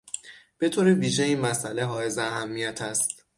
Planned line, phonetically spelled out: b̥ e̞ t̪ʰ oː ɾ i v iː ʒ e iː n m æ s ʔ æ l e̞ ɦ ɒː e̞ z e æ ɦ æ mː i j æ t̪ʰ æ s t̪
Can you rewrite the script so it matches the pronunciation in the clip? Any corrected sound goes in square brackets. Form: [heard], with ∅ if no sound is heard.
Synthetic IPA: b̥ e̞ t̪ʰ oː ɾ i v iː ʒ e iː n m æ s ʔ æ l e̞ ɦ ɒː e̞ z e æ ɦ æ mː i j æ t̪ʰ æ s t̪